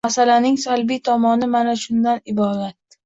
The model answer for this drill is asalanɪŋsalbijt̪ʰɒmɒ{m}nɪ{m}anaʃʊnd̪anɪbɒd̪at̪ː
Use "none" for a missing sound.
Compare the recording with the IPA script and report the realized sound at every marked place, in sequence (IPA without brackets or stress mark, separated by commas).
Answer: none, m